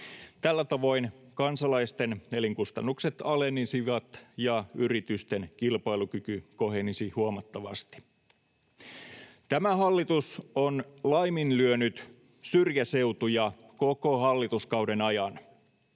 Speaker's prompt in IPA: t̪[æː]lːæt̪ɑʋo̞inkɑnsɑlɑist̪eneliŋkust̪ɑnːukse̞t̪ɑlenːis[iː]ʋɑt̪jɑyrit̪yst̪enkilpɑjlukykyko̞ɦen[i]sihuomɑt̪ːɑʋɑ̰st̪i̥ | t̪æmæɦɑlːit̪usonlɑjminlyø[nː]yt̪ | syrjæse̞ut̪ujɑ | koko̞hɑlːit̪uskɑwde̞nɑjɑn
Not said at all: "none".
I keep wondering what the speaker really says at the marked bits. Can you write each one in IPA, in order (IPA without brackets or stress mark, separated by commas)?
æ, i, i, n